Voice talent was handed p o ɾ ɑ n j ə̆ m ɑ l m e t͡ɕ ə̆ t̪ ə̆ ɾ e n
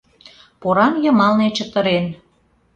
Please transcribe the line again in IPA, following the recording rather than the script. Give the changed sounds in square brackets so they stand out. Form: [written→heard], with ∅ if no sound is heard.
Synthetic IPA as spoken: p o ɾ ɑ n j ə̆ m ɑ l [m→n] e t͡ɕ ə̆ t̪ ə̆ ɾ e n

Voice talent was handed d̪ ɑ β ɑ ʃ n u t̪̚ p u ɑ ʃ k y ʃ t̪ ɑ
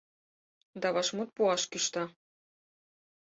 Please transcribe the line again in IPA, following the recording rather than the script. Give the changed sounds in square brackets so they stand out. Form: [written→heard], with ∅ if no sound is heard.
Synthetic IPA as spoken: d̪ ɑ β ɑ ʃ [n→m] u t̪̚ p u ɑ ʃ k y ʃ t̪ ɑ

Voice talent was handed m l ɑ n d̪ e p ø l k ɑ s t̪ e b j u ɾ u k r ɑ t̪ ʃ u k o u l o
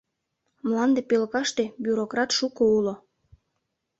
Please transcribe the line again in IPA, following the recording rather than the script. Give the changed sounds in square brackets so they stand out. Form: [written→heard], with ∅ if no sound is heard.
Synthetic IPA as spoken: m l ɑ n d̪ e p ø l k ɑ [s→ʃ] t̪ e b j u ɾ [u→o] k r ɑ t̪ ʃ u k o u l o

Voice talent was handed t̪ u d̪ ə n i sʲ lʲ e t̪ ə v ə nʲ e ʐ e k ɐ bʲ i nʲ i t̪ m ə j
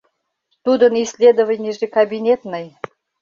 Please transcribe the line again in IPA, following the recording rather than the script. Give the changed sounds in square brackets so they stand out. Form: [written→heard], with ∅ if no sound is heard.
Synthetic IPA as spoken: t̪ u d̪ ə n i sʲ lʲ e [t̪→d̪] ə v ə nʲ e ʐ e k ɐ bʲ i nʲ [i→e] t̪ [m→n] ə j

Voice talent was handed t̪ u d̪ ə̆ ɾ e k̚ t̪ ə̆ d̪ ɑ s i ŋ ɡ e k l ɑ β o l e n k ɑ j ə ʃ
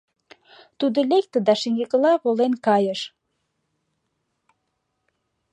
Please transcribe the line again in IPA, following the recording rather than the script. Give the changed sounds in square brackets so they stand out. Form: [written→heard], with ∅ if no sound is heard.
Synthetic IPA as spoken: t̪ u d̪ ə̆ [ɾ→l] e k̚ t̪ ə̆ d̪ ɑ [s→ʃ] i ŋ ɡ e k l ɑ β o l e n k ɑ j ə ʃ

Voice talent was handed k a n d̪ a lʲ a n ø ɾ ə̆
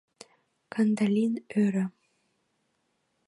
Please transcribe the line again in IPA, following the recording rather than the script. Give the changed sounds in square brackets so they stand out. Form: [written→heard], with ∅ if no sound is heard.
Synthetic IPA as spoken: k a n d̪ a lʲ [a→i] n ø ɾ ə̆

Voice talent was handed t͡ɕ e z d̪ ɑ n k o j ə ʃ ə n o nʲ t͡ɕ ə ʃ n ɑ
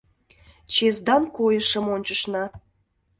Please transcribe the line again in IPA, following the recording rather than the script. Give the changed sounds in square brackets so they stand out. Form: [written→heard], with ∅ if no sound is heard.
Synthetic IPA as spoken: t͡ɕ e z d̪ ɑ n k o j ə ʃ ə [n→m] o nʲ t͡ɕ ə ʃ n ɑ

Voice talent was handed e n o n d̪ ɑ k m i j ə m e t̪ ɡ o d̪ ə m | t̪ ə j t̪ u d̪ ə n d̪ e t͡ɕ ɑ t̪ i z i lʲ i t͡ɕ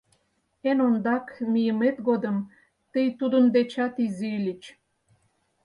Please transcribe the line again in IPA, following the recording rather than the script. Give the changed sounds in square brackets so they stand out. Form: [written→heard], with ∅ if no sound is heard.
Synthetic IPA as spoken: e n o n d̪ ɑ k m i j ə m e t̪ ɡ o d̪ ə m | t̪ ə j t̪ u d̪ ə n d̪ e t͡ɕ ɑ t̪ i z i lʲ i t͡ɕ

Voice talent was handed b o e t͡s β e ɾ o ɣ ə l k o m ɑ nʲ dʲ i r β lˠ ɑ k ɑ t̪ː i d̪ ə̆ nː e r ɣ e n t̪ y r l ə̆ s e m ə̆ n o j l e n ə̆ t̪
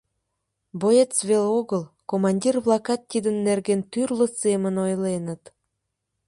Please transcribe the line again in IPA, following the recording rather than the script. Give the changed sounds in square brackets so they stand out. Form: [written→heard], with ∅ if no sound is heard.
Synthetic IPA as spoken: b o e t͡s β e [ɾ→l] o ɣ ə l k o m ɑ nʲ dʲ i r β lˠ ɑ k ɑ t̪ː i d̪ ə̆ nː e r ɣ e n t̪ y r l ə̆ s e m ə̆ n o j l e n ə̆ t̪

